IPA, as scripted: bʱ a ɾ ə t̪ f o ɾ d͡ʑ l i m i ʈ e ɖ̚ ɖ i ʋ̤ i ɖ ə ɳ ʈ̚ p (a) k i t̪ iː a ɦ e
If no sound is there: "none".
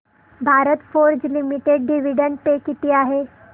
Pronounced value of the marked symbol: e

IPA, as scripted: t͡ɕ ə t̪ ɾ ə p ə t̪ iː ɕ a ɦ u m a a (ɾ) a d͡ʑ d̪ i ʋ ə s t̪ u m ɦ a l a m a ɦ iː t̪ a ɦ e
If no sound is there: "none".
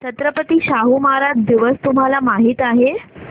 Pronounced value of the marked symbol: ɾ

